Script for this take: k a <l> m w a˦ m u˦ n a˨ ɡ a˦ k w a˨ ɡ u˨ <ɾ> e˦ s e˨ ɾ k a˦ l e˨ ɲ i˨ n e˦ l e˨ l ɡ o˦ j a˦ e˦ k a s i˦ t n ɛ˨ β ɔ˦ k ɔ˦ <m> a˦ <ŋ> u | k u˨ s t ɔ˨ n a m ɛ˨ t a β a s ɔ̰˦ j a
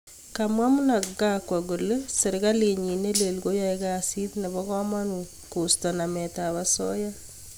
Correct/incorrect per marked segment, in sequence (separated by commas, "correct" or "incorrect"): incorrect, incorrect, correct, incorrect